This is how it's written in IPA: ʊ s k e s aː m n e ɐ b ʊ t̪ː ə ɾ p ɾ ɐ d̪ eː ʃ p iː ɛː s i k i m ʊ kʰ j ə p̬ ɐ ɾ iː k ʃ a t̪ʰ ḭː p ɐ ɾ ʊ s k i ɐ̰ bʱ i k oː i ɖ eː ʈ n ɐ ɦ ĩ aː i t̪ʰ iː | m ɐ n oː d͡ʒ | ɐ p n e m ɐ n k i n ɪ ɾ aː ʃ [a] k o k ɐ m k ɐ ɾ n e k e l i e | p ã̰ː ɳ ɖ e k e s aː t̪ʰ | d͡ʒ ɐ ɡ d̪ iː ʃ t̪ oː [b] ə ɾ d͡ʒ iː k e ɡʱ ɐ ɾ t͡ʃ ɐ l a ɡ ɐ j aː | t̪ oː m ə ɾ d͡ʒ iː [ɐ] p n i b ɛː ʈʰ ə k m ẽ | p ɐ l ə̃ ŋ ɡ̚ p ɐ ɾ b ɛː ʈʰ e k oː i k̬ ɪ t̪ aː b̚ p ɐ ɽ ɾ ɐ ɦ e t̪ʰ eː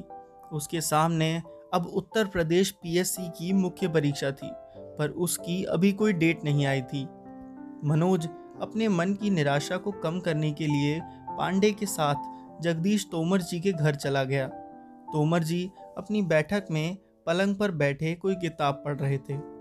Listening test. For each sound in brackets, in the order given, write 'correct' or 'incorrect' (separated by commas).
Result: correct, incorrect, correct